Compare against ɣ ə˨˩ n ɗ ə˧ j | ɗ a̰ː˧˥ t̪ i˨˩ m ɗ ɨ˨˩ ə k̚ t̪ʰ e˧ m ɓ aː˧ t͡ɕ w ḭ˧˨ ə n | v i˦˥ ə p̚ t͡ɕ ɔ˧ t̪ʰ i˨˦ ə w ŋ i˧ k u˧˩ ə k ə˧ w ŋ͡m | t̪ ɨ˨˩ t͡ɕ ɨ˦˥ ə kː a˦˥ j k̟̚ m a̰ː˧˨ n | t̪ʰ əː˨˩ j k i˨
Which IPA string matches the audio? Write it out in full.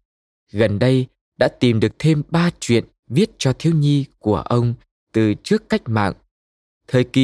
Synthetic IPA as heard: ɣ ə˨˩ n ɗ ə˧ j | ɗ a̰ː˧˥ t̪ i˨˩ m ɗ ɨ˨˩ ə k̚ t̪ʰ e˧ m ɓ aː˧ t͡ɕ w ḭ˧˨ ə n | v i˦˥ ə t̚ t͡ɕ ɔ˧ t̪ʰ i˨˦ ə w ɲ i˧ k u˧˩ ə ʔ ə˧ w ŋ͡m | t̪ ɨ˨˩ t͡ɕ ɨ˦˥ ə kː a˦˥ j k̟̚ m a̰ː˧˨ ŋ | t̪ʰ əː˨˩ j k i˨